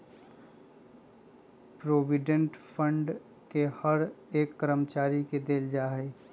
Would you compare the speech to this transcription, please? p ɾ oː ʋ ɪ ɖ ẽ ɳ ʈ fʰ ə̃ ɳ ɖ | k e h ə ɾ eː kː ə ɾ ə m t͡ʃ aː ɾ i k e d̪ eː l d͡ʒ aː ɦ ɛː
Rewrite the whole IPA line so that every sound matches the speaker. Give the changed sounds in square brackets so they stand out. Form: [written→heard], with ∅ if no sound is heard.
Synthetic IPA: p ɾ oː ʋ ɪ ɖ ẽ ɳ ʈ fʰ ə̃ ɳ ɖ | k e h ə ɾ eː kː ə ɾ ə m t͡ʃ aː ɾ i k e d̪ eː l d͡ʒ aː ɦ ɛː